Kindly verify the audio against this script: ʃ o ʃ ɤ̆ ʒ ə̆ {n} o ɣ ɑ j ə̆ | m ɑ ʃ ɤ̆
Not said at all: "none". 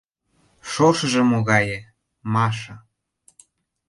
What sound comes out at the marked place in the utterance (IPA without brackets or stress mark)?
m